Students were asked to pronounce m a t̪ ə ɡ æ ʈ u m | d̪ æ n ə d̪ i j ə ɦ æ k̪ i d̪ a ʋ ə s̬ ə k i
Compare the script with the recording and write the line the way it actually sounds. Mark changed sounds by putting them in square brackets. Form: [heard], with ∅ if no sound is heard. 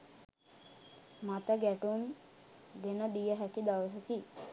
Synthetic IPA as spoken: m a t̪ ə ɡ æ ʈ u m | d̪ [e] n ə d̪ i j ə ɦ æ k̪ i d̪ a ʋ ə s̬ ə k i

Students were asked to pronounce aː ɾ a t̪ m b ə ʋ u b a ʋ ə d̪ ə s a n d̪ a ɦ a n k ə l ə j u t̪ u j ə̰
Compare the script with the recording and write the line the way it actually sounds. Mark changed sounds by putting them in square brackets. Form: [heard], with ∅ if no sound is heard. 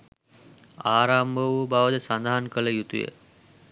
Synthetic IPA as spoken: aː ɾ a [∅] m b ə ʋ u b a ʋ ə d̪ ə s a n d̪ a ɦ a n k ə l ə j u t̪ u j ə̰

